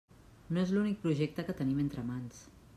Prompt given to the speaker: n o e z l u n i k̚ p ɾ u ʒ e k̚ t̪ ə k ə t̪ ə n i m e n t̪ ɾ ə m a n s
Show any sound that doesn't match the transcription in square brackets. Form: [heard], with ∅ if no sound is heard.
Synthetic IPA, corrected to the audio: n o e z l u n i k̚ p ɾ u ʒ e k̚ t̪ ə k ə t̪ ə n i m e n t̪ ɾ ə m a n s